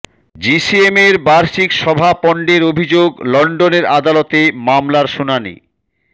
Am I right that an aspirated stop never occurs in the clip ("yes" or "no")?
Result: yes